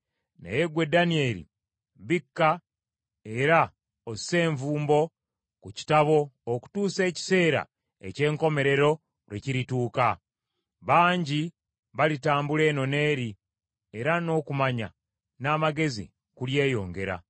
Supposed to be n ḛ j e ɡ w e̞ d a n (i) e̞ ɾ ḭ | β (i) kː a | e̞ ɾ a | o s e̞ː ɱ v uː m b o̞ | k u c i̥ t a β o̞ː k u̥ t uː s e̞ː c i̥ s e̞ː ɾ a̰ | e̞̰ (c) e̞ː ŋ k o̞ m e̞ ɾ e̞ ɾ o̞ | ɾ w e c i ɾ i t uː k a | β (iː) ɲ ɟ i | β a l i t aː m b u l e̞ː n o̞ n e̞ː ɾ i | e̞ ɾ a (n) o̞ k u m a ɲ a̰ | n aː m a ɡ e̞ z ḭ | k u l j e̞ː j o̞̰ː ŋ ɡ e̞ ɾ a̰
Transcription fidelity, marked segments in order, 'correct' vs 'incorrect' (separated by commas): correct, correct, correct, incorrect, correct